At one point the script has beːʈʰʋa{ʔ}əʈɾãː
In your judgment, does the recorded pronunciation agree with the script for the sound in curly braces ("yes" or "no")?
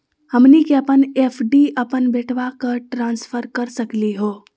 no